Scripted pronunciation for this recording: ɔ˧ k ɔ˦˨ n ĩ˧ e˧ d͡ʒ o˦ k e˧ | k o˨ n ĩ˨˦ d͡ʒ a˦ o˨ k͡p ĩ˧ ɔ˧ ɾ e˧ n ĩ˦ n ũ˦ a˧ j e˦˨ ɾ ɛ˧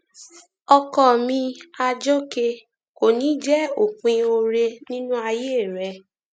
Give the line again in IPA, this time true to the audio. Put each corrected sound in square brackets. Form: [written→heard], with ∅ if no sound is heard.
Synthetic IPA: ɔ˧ k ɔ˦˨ [n→m] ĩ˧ [e˧→a˧] d͡ʒ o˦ k e˧ | k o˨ n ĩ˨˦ d͡ʒ [a˦→ɛ˦] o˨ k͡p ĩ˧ [ɔ˧→o˧] ɾ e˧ n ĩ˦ n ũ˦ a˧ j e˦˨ ɾ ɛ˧